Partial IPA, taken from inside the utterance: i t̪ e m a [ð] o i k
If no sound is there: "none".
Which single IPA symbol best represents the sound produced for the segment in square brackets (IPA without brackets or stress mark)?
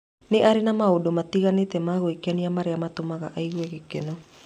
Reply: ɣ